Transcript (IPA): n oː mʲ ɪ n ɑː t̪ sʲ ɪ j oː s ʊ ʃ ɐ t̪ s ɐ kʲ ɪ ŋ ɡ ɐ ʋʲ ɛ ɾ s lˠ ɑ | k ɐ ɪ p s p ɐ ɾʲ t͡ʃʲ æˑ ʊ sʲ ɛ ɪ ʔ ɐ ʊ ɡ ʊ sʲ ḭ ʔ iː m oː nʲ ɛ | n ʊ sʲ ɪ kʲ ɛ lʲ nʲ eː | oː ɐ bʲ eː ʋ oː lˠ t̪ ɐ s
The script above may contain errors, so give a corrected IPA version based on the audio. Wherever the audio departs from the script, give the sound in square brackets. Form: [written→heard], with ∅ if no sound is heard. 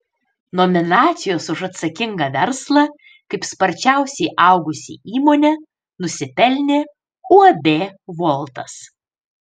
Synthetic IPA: n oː mʲ ɪ n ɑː t̪ sʲ ɪ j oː s ʊ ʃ ɐ t̪ s ɐ kʲ ɪ ŋ ɡ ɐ ʋʲ ɛ ɾ s lˠ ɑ | k ɐ ɪ p s p ɐ ɾʲ t͡ʃʲ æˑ ʊ sʲ ɛ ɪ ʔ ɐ ʊ ɡ ʊ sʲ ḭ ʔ iː m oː nʲ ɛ | n ʊ sʲ ɪ [kʲ→pʲ] ɛ lʲ nʲ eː | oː ɐ bʲ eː ʋ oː lˠ t̪ ɐ s